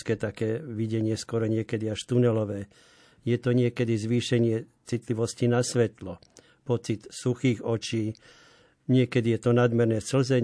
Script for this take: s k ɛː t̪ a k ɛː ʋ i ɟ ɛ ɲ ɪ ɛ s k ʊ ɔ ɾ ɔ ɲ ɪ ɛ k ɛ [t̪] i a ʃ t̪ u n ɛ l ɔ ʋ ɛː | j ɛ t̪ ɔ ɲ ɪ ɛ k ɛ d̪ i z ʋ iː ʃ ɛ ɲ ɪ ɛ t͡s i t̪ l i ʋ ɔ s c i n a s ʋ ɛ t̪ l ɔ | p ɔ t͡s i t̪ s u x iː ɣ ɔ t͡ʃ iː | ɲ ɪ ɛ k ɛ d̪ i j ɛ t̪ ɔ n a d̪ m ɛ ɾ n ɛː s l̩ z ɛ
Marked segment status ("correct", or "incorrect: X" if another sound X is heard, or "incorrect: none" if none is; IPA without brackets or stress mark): incorrect: d̪